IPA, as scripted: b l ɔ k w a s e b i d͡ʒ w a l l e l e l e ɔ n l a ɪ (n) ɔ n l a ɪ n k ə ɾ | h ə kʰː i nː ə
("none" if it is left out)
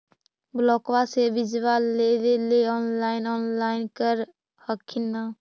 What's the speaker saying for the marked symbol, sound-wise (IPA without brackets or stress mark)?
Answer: n